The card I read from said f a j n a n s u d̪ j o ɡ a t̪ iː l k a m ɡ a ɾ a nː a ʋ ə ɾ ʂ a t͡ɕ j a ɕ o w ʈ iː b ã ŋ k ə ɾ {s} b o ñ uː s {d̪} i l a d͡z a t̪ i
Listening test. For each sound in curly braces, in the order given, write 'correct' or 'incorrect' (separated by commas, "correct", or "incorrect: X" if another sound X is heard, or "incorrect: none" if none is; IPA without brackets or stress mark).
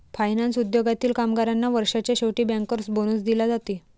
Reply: correct, correct